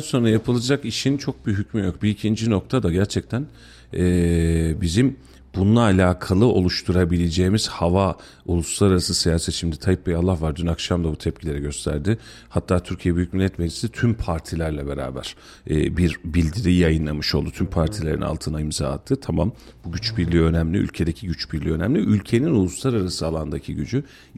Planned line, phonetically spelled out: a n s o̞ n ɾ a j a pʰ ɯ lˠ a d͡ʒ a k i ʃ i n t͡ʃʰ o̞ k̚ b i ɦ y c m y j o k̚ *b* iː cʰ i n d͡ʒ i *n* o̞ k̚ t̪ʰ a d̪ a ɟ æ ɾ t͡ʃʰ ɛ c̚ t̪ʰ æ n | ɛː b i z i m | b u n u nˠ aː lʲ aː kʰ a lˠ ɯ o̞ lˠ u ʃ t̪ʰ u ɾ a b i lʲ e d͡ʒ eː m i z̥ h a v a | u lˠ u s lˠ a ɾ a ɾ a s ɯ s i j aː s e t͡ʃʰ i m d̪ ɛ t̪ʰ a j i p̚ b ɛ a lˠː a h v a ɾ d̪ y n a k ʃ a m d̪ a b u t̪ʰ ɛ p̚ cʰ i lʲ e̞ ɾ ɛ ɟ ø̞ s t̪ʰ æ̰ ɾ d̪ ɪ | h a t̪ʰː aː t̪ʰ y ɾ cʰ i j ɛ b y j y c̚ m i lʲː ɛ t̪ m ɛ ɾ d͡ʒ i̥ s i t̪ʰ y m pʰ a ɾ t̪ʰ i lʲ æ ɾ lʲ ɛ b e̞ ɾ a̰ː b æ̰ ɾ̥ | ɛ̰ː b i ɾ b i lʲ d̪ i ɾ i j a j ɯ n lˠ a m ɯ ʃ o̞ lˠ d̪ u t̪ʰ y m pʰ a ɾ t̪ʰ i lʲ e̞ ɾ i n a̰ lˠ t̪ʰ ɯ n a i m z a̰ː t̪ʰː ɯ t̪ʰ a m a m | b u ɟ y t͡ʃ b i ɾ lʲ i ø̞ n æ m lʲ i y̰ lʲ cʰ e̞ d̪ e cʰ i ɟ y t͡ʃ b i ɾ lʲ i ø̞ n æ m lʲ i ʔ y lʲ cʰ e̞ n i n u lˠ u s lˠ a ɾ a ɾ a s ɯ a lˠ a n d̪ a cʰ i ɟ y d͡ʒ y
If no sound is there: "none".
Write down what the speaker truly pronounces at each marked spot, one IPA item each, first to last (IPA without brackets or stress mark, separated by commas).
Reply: b, n